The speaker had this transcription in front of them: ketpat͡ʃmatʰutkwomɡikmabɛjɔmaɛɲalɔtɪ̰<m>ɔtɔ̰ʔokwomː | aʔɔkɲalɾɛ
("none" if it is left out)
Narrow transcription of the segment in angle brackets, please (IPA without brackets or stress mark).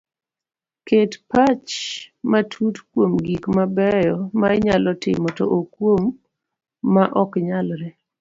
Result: m